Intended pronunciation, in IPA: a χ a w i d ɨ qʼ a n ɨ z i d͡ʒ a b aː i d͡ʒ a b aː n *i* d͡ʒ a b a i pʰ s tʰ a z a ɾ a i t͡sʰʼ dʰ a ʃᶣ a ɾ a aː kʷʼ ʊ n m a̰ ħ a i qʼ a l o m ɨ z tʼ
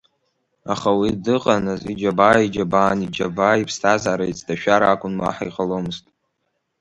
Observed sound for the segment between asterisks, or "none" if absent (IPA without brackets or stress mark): i